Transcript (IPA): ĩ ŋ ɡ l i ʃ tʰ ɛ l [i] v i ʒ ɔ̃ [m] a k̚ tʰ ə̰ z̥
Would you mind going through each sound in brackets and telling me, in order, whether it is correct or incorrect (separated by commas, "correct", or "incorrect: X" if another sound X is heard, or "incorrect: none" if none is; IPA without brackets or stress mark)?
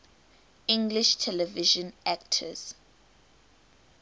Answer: incorrect: ɛ, incorrect: n